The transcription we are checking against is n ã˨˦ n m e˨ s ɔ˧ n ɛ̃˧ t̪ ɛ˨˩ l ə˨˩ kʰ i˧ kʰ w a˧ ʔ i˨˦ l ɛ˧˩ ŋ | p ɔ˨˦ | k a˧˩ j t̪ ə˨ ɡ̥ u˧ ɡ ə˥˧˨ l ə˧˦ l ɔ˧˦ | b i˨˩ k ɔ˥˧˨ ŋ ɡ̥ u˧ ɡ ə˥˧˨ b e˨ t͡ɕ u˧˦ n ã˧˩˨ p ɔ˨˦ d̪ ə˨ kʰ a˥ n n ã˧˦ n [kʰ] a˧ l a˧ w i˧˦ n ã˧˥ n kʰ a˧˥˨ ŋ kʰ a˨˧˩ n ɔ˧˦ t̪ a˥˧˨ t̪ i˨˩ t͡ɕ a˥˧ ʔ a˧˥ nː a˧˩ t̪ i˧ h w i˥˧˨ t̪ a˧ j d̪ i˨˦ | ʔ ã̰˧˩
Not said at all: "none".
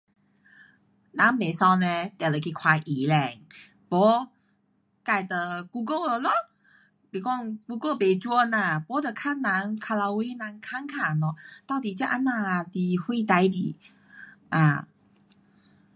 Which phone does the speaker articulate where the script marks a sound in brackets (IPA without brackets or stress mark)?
kʰ